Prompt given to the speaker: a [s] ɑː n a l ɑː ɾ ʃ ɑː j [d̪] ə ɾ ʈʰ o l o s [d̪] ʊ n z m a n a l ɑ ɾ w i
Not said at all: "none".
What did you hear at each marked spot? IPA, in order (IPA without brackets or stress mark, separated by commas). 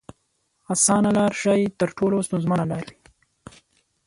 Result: s, t̪, t̪